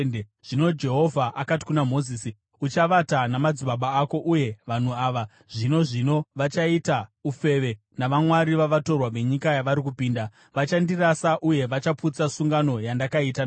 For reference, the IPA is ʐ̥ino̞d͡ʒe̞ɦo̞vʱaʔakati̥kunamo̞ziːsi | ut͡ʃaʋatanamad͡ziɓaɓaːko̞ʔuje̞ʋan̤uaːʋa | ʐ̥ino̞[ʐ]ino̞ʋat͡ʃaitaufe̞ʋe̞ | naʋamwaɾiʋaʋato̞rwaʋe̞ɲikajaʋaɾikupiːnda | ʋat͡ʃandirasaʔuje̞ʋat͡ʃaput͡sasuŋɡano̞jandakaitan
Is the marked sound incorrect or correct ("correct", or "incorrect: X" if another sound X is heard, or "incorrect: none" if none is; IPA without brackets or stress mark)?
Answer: correct